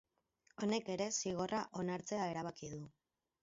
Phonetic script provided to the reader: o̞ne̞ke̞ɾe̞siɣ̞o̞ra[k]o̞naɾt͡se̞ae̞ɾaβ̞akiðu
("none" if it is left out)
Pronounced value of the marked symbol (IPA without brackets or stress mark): ʔ